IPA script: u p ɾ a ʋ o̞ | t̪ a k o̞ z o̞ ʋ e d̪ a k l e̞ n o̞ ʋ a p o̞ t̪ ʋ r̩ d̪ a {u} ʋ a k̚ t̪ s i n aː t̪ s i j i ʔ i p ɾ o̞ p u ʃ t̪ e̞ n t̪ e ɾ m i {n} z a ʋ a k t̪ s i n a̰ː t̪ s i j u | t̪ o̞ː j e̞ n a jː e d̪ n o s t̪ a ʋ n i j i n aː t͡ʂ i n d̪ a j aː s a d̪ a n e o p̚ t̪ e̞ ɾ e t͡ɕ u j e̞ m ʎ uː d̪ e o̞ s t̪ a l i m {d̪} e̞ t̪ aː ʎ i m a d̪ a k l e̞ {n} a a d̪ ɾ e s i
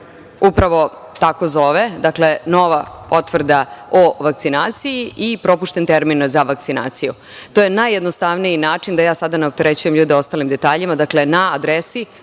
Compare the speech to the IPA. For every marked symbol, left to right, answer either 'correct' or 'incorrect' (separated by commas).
incorrect, correct, correct, correct